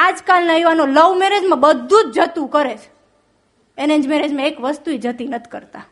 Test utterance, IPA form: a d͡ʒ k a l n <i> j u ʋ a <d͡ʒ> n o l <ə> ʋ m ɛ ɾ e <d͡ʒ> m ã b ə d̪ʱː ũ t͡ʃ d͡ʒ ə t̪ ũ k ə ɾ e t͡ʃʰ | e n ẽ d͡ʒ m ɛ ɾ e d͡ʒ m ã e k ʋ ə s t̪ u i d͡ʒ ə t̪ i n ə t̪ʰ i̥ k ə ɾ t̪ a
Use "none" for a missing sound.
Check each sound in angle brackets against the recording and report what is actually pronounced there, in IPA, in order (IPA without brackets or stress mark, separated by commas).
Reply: a, none, ə, d͡ʒ